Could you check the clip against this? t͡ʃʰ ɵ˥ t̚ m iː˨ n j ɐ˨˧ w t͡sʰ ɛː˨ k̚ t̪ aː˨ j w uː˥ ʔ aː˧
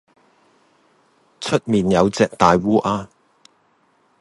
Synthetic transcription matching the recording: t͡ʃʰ ɵ˥ t̚ m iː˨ n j ɐ˨˧ w t͡s ɛː˨ k̚ t̪ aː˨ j w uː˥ ʔ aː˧

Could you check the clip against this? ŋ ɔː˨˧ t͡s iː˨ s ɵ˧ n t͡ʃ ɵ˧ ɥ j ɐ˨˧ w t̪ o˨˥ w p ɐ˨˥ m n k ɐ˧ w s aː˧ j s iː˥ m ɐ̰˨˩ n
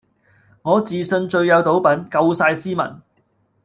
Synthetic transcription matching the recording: ŋ ɔː˨˧ t͡s iː˨ s ɵ˧ n t͡ʃ ɵ˧ ɥ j ɐ˨˧ w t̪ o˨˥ w p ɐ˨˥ n k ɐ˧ w s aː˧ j s iː˥ m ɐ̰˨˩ n

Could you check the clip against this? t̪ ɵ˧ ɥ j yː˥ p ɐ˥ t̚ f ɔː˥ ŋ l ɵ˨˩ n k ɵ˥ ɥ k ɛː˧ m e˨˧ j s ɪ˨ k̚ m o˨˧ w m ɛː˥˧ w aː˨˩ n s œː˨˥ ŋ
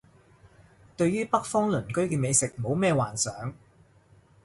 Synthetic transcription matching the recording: t̪ ɵ˧ ɥ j yː˥ p ɐ˥ k̚ f ɔː˥ ŋ l ɵ˨˩ n k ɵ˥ ɥ k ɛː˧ m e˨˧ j s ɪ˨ k̚ m o˨˧ w m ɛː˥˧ w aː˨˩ n s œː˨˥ ŋ

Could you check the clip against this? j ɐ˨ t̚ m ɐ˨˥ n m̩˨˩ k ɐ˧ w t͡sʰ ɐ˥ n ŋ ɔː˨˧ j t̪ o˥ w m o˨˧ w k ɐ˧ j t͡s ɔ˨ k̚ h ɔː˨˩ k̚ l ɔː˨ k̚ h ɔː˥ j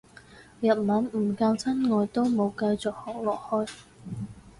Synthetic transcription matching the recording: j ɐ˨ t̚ m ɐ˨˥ n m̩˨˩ k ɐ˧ w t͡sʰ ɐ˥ n ŋ ɔː˨˧ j t̪ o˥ w m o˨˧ w k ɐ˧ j t͡s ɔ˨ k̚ h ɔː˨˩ k̚ l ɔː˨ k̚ h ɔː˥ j

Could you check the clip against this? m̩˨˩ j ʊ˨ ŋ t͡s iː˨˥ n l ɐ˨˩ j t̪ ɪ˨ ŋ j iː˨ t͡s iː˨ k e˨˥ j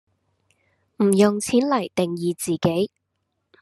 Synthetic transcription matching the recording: m̩˨˩ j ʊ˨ ŋ t͡sʰ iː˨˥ n l ɐ˨˩ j t̪ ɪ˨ ŋ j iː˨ t͡s iː˨ k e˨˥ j

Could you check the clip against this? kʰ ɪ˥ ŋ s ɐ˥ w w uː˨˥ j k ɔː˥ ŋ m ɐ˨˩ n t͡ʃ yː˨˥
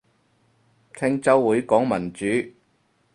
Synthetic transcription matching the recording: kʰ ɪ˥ ŋ t͡s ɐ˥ w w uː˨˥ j k ɔː˨˥ ŋ m ɐ˨˩ n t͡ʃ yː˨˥

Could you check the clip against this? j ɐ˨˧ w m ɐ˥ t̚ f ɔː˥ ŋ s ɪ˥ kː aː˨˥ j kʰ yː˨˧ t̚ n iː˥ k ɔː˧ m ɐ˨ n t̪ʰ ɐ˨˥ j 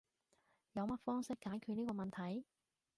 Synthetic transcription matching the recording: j ɐ˨˧ w m ɐ˥ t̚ f ɔː˥ ŋ s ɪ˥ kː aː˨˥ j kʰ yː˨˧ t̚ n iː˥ k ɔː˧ m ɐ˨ n t̪ʰ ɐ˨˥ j

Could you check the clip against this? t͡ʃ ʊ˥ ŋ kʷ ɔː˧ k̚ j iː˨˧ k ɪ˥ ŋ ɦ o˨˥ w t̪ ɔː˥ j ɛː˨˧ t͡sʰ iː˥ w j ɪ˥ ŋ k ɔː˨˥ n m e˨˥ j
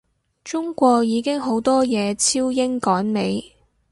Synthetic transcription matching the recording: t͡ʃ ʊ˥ ŋ kʷ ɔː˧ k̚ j iː˨˧ k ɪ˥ ŋ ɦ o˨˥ w t̪ ɔː˥ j ɛː˨˧ t͡sʰ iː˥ w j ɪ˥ ŋ k ɔː˨˥ n m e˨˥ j

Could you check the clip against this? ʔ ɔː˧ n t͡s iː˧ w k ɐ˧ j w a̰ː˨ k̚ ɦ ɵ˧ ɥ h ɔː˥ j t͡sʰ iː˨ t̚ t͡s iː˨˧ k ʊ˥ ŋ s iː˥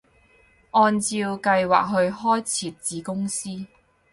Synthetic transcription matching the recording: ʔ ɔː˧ n t͡s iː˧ w k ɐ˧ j w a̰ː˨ k̚ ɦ ɵ˧ ɥ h ɔː˥ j t͡sʰ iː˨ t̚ t͡s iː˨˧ k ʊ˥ ŋ s iː˥

